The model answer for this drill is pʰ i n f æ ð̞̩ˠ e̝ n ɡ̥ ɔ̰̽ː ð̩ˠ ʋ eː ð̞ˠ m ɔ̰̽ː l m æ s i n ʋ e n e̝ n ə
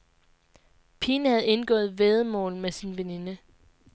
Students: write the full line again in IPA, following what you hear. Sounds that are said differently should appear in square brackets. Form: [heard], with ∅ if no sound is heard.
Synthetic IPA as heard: pʰ i n [h] æ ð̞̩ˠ e̝ n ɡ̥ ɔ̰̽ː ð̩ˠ ʋ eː ð̞ˠ m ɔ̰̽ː l m [e] s i n ʋ e n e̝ n ə

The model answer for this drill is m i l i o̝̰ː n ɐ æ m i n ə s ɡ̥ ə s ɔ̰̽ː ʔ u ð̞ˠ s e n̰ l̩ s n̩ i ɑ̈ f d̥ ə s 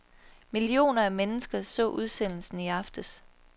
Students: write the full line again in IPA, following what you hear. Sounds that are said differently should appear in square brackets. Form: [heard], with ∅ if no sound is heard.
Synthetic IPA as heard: m i l i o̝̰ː n ɐ æ m [e] n ə s ɡ̥ [ɐ] s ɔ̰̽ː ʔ u ð̞ˠ s e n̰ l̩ s n̩ i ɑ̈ f d̥ ə s

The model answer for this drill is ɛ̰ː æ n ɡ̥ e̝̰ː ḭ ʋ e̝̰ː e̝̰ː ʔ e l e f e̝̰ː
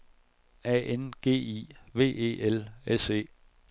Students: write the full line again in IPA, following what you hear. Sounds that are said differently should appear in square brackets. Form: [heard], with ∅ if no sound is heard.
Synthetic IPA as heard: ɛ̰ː [e] n ɡ̥ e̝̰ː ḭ ʋ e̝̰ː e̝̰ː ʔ e l e [s] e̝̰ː

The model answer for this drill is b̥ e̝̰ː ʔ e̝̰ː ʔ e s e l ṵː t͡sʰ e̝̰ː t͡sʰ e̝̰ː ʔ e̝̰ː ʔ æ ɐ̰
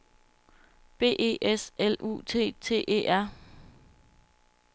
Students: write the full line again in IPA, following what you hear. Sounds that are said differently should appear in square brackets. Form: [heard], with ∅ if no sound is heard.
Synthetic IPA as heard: b̥ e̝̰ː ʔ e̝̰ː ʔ e s e l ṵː t͡sʰ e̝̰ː t͡sʰ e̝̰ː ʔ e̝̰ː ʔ æ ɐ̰

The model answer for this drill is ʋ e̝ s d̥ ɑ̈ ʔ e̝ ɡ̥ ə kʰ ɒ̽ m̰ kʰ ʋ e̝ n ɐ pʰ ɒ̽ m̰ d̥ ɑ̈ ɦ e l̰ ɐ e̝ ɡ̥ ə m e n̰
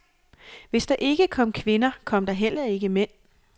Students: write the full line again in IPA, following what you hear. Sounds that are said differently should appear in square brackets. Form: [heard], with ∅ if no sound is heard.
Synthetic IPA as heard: ʋ e̝ s d̥ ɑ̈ ʔ e̝ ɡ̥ ə kʰ ɒ̽ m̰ kʰ ʋ e̝ n ɐ [kʰ] ɒ̽ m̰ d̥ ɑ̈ ɦ e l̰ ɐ e̝ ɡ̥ ə m e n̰

